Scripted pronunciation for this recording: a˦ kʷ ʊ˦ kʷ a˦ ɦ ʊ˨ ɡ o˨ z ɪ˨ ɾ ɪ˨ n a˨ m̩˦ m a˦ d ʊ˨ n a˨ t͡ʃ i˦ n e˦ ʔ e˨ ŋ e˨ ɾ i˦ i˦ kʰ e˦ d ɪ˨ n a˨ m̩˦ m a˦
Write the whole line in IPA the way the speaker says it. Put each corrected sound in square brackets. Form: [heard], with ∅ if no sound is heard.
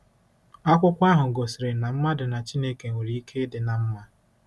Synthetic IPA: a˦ kʷ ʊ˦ kʷ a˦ ɦ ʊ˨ ɡ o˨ [s] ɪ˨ ɾ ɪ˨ n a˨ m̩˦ m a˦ d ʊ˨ n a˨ t͡ʃ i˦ n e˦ [k] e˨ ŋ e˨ ɾ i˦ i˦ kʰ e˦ d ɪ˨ n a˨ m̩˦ m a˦